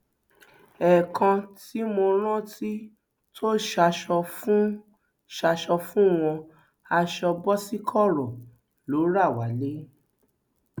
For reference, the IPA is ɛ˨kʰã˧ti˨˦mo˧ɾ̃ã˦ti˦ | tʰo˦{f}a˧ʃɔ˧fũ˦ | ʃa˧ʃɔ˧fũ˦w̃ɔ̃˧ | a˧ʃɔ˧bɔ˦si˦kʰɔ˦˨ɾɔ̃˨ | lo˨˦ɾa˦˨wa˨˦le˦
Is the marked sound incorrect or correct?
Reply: incorrect